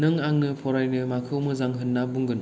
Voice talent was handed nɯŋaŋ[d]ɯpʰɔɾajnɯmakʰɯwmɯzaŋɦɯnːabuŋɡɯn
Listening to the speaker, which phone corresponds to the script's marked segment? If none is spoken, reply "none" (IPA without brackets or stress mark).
n